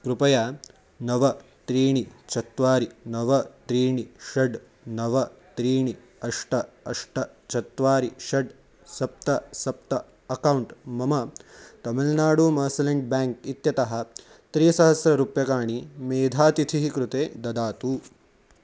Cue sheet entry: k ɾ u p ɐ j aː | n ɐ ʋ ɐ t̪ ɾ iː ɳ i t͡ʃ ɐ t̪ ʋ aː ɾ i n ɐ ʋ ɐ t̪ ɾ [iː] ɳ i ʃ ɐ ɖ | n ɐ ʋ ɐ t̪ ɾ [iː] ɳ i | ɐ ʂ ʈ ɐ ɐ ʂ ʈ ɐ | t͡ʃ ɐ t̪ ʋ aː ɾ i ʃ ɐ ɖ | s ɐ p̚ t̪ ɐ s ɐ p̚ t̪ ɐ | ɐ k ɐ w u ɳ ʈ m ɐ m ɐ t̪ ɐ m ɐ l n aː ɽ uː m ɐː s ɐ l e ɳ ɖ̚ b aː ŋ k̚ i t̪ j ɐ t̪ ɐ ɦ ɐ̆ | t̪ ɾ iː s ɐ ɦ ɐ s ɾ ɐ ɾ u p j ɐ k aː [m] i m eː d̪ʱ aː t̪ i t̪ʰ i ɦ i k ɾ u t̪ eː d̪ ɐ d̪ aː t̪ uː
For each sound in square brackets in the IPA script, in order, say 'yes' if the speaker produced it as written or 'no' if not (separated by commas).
yes, yes, no